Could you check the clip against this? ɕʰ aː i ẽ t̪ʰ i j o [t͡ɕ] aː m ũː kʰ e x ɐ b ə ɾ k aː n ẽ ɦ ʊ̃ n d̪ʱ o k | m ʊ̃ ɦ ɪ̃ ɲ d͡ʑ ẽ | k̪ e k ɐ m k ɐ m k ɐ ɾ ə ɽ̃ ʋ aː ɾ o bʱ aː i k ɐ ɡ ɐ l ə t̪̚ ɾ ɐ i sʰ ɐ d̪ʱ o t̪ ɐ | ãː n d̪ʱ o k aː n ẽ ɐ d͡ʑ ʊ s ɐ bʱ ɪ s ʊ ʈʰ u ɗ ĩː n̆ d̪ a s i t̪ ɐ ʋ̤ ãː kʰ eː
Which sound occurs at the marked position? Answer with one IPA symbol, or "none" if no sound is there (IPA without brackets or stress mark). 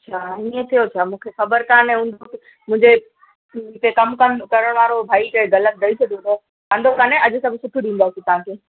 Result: t͡ɕʰ